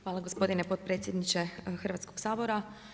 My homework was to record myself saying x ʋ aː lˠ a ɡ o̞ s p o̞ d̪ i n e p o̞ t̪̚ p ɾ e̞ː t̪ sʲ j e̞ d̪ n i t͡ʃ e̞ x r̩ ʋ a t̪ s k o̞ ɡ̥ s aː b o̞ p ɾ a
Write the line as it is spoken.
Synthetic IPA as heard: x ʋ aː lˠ a ɡ o̞ s p o̞ d̪ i n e p o̞ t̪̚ p ɾ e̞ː t̪ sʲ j e̞ d̪ n i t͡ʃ e̞ x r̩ ʋ a t̪ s k o̞ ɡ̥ s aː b o̞ ɾ a